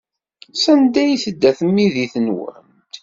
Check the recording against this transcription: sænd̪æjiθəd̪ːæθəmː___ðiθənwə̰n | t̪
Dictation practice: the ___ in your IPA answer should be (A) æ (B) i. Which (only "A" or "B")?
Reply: B